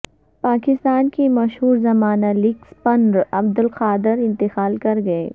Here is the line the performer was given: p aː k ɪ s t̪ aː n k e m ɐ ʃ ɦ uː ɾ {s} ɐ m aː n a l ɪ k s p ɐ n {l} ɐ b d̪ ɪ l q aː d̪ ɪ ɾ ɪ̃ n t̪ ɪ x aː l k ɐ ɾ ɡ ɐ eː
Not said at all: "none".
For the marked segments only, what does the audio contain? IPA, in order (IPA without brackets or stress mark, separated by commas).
z, ɾ